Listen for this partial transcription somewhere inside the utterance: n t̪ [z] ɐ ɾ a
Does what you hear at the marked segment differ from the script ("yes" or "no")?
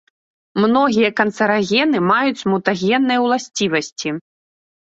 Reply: yes